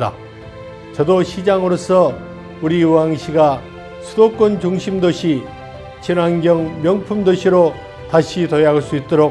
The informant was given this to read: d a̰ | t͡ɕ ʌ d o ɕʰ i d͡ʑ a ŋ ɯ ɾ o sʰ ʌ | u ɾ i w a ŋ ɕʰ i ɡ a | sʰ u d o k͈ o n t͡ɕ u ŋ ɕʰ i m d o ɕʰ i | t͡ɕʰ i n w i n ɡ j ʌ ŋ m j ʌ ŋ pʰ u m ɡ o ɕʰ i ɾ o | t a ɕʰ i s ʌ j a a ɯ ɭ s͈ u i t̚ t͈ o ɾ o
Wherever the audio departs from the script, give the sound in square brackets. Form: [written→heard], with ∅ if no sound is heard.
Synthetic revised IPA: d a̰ | t͡ɕ ʌ d o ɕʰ i d͡ʑ a ŋ ɯ ɾ o sʰ ʌ | u ɾ i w a ŋ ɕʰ i ɡ a | sʰ u d o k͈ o n t͡ɕ u ŋ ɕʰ i m d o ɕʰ i | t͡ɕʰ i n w [i→a] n ɡ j ʌ ŋ m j ʌ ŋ pʰ u m [ɡ→d] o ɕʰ i ɾ o | t a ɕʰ i [s→t] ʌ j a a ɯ ɭ s͈ u i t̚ t͈ o ɾ o